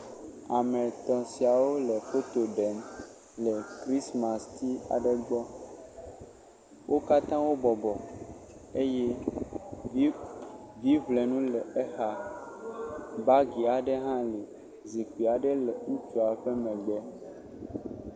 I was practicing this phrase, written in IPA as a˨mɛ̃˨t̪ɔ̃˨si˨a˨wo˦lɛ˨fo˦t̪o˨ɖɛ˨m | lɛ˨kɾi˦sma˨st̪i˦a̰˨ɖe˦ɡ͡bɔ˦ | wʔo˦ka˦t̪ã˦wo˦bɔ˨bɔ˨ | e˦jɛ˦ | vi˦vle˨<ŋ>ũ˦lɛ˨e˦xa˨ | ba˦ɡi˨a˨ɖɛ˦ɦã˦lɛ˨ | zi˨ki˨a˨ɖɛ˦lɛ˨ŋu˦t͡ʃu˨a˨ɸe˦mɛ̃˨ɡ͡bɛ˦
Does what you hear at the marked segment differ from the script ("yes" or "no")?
yes